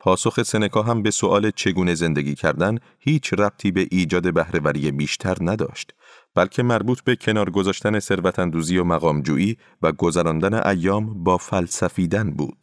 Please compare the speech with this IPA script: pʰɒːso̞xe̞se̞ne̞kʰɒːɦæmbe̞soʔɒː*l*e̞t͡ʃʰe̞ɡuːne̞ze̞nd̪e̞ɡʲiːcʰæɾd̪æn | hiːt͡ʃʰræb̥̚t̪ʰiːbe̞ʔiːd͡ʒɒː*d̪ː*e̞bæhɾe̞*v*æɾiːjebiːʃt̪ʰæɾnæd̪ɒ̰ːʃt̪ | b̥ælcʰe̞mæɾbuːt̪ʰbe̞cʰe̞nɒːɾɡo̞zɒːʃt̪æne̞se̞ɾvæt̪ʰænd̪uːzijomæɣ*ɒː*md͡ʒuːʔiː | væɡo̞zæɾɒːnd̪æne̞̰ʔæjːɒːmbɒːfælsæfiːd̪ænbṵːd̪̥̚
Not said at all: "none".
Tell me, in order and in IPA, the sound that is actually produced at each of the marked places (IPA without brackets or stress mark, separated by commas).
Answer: l, d̪, v, ɒː